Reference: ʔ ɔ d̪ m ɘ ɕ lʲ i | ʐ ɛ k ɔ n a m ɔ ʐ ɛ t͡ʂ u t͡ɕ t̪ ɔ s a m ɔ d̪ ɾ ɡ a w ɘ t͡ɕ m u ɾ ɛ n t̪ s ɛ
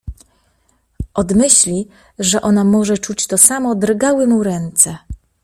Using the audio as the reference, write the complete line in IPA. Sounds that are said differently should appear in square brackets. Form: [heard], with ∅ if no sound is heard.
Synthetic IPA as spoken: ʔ ɔ d̪ m ɘ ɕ lʲ i | ʐ ɛ [ʔ] ɔ n a m ɔ ʐ ɛ t͡ʂ u t͡ɕ t̪ ɔ s a m ɔ d̪ ɾ ɡ a w ɘ [∅] m u ɾ ɛ n t̪ s ɛ